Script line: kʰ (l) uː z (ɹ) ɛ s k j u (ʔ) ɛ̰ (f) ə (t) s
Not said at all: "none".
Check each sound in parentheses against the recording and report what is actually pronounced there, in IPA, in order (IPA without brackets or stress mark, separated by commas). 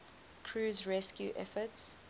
ɹ, ɹ, ʔ, f, t